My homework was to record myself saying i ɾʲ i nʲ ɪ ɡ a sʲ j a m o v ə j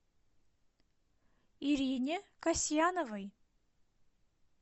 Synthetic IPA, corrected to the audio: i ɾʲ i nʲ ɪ k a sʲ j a n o v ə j

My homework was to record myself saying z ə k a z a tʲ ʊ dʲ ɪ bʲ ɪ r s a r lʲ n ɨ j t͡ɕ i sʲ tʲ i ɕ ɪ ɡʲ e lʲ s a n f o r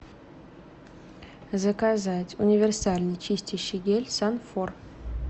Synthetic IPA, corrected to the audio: z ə k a z a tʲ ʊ nʲ ɪ vʲ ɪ r s a lʲ n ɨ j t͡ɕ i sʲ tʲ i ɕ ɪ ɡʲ e lʲ s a n f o r

